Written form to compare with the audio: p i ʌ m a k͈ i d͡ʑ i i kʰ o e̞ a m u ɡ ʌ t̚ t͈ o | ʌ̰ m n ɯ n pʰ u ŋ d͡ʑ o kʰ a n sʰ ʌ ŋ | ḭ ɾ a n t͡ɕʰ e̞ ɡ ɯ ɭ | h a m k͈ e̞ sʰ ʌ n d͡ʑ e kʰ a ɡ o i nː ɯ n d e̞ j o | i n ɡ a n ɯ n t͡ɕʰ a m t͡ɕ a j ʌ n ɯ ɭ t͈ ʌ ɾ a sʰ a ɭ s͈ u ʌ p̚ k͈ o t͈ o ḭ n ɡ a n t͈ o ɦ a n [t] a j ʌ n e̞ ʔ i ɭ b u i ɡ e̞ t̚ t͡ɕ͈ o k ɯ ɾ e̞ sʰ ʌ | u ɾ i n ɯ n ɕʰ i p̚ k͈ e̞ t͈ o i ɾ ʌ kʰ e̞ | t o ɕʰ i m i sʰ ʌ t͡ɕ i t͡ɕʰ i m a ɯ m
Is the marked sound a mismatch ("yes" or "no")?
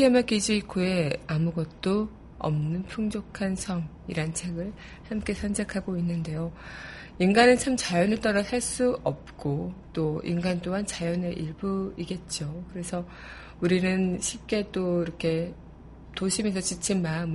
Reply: yes